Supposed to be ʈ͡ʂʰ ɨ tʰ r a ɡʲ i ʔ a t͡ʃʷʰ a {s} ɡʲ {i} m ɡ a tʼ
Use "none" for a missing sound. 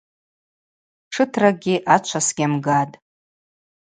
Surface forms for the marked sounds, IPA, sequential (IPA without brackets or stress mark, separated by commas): s, a